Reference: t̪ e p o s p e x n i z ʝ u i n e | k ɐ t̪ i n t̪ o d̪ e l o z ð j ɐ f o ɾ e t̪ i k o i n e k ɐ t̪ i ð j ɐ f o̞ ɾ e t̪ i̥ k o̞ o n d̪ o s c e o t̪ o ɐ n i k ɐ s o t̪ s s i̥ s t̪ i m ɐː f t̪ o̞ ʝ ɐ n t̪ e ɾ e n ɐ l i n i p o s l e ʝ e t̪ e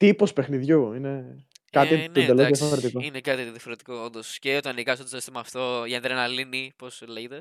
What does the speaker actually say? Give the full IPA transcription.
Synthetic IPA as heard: t̪ i p o s p e x n i ð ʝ u i n e | k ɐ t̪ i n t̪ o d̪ e l o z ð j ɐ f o ɾ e t̪ i k o i n e k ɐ t̪ i ð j ɐ f o̞ ɾ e t̪ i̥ k o̞ o n d̪ o s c e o t̪ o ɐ n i k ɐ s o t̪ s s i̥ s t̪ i m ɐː f t̪ o̞ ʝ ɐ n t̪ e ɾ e n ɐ l i n i p o s l e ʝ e t̪ e